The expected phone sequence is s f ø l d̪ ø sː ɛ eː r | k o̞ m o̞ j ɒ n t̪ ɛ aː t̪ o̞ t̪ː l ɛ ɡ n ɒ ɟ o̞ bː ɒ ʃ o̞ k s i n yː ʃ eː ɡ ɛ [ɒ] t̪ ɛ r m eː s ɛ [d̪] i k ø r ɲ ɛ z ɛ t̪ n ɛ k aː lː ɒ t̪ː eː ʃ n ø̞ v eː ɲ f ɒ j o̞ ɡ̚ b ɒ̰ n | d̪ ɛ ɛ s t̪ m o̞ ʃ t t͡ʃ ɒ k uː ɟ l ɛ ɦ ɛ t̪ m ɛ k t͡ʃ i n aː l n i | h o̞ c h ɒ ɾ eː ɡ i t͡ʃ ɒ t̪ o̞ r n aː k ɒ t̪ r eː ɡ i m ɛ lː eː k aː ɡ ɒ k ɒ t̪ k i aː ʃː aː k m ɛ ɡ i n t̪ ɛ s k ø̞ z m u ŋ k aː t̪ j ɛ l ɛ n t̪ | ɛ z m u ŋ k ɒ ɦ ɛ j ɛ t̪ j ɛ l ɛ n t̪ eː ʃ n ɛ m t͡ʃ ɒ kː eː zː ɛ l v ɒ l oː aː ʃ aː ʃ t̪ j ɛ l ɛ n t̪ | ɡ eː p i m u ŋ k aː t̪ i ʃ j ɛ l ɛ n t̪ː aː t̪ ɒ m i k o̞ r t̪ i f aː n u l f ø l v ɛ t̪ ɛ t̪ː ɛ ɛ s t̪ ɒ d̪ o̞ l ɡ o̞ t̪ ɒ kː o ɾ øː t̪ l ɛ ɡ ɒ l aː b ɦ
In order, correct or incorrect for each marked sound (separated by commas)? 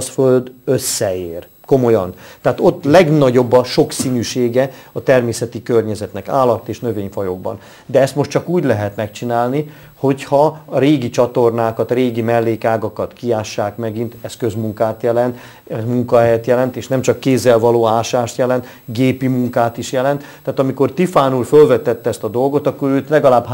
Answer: correct, incorrect